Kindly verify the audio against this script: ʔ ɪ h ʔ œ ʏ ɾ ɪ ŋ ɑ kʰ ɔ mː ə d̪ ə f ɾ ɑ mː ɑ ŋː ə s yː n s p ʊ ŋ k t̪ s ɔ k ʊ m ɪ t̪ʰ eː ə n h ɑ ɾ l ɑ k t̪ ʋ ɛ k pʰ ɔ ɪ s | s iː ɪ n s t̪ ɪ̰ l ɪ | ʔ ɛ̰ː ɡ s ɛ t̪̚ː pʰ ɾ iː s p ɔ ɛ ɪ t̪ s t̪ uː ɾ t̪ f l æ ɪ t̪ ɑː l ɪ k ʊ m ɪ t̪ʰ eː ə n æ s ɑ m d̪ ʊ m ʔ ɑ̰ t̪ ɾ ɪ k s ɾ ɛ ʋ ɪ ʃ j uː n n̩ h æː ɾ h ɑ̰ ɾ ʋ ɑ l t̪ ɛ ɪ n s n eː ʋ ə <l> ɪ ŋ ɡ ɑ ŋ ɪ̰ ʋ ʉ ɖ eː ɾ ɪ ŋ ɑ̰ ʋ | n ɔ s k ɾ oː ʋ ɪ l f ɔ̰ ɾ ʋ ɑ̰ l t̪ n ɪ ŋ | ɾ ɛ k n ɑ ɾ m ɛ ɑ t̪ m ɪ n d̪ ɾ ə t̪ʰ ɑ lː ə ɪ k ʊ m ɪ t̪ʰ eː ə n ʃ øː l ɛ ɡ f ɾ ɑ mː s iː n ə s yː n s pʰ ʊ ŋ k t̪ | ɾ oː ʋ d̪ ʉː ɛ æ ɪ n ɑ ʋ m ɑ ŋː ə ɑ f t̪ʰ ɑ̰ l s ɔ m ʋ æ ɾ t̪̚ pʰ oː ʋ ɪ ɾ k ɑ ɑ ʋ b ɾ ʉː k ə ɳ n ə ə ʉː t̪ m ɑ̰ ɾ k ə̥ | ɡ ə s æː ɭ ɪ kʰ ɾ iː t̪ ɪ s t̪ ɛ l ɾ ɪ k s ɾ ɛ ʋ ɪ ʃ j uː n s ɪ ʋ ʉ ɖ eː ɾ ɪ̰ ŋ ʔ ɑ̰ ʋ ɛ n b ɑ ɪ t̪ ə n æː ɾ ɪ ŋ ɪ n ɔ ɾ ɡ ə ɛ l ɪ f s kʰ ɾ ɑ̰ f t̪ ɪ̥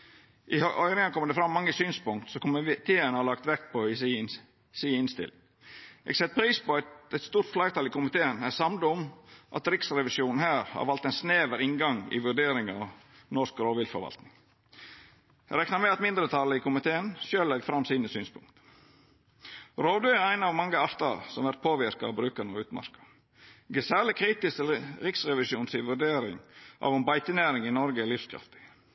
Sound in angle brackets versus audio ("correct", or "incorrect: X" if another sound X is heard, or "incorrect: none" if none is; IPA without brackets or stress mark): incorrect: ɾ